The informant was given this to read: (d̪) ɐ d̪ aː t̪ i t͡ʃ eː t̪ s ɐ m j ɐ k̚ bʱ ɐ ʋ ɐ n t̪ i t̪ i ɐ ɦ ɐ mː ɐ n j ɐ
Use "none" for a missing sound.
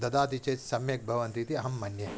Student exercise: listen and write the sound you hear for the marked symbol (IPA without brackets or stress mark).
d̪